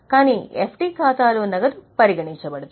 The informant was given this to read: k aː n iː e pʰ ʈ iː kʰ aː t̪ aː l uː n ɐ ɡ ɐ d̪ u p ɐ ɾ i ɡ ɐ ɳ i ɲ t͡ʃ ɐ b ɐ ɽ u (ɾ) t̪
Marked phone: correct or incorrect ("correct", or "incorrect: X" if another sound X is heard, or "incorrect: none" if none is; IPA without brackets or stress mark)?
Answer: incorrect: none